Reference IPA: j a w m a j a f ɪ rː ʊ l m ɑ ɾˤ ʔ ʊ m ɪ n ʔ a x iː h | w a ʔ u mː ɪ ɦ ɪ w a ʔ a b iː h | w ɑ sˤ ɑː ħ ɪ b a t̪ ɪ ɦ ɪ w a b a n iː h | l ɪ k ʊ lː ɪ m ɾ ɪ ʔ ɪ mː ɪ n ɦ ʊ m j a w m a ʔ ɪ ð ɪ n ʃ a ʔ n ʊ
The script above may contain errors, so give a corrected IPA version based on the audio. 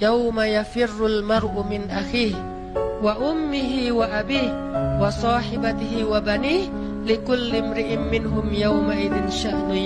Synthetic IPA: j a w m a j a f ɪ rː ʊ l m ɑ ɾˤ ʔ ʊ m ɪ n ʔ a x iː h | w a ʔ ʊ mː ɪ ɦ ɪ w a ʔ a b iː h | w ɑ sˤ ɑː ħ ɪ b a t̪ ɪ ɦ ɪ w a b a n iː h | l ɪ k ʊ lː ɪ m ɾ ɪ ʔ ɪ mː ɪ n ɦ ʊ m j a w m a ʔ ɪ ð ɪ n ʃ a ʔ n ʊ